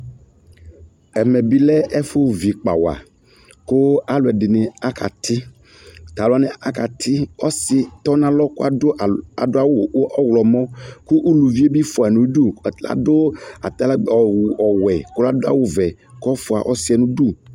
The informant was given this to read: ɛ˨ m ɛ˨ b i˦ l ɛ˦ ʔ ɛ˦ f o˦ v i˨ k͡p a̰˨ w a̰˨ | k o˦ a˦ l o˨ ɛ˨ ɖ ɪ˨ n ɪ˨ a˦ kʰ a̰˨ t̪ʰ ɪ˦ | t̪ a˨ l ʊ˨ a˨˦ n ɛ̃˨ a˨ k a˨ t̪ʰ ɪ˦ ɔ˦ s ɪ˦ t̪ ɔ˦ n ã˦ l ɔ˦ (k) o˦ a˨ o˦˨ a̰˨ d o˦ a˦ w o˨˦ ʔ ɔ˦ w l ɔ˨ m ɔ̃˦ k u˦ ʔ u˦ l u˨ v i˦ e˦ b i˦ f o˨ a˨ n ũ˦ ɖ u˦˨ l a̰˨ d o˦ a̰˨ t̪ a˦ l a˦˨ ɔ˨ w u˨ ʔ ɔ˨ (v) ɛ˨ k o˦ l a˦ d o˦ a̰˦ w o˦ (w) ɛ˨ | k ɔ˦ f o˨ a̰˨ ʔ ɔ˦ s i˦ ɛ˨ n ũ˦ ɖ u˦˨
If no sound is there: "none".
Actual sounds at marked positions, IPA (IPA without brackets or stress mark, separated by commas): k, w, v